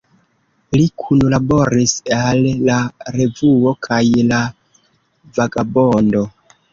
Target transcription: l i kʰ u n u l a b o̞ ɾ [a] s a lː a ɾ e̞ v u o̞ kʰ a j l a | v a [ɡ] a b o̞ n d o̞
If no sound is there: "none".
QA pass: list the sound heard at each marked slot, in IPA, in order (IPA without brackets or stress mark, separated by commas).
i, ɡ